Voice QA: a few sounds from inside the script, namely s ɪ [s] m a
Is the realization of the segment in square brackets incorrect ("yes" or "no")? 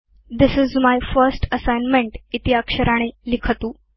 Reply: yes